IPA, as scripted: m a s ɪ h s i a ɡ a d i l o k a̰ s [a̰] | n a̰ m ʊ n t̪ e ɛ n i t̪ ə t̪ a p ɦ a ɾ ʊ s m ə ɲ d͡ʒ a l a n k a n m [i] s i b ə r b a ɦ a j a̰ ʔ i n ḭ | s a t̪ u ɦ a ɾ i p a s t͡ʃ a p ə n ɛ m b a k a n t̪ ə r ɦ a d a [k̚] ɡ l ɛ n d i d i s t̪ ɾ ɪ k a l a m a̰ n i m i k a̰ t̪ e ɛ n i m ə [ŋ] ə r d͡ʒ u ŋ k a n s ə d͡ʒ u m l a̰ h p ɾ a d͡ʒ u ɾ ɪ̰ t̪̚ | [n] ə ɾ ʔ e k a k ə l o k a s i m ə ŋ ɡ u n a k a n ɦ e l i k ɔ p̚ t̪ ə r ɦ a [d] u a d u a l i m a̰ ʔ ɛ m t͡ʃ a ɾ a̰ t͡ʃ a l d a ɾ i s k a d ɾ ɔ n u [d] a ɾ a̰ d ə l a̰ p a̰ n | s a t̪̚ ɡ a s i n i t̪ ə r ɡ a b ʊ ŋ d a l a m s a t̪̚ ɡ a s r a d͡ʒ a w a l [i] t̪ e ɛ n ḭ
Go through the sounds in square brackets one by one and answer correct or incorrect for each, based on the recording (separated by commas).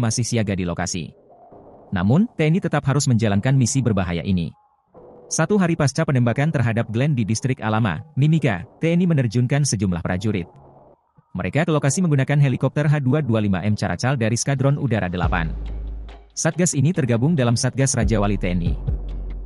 incorrect, correct, incorrect, incorrect, incorrect, correct, correct, correct